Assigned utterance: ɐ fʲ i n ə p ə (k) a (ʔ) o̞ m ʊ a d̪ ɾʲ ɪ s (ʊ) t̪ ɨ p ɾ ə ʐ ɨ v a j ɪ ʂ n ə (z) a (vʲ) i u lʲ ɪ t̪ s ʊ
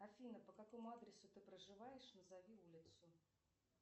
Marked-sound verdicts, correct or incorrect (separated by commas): correct, incorrect, correct, correct, correct